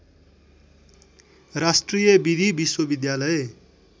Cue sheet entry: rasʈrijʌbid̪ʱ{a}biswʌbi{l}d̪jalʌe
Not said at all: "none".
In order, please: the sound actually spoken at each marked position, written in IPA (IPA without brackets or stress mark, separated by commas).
i, none